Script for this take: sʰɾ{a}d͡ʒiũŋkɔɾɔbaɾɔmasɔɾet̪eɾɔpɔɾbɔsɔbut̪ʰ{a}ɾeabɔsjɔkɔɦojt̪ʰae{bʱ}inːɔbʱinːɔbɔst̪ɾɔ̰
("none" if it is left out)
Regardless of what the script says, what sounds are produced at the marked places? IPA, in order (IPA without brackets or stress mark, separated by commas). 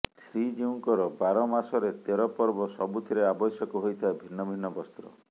i, i, bʱ